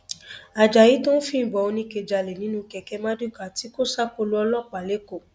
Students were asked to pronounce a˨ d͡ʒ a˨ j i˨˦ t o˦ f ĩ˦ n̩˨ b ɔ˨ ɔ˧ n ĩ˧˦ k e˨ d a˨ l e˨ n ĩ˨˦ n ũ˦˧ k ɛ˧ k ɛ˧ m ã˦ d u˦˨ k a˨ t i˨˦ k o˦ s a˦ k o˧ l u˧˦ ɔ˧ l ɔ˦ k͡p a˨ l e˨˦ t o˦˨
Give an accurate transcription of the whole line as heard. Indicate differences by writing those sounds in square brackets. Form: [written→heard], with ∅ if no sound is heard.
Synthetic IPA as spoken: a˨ d͡ʒ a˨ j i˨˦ t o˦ f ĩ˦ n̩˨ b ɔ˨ [ɔ˧→o˧] n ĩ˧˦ k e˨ [d→d͡ʒ] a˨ l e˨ n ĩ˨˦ n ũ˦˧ k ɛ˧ k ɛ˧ m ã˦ d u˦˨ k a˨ t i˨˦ k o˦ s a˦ k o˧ l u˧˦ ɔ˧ l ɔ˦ k͡p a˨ l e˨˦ [t→k] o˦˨